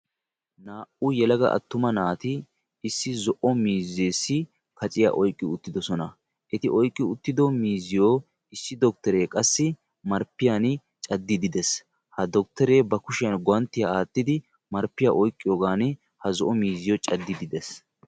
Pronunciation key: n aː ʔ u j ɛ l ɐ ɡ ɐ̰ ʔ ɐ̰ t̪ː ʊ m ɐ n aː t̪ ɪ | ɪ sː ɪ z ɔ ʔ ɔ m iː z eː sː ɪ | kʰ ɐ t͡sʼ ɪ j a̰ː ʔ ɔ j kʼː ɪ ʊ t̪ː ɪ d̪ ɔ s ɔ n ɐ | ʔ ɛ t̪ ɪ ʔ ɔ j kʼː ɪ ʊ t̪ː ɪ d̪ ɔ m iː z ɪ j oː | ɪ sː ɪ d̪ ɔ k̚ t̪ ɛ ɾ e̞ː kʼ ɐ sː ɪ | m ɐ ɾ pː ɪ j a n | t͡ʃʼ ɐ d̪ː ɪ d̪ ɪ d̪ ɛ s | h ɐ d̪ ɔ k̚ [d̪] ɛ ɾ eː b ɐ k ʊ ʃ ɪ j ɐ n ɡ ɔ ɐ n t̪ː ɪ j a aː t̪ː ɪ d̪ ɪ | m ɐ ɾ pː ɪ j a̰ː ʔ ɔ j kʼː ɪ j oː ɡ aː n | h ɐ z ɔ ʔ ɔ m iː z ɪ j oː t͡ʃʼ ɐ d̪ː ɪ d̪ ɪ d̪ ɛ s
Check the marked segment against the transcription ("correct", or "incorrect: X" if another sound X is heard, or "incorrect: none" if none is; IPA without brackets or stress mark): incorrect: t̪